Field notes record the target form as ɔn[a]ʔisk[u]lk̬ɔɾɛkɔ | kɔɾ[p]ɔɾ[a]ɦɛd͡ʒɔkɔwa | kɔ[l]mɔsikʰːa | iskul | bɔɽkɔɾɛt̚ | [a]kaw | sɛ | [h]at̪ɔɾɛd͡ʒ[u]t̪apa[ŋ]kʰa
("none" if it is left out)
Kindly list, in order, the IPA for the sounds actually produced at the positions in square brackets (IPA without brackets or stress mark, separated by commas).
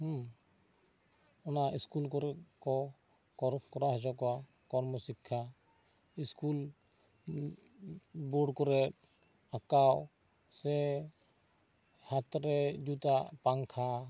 a, u, k, a, ɾ, a, h, u, ŋ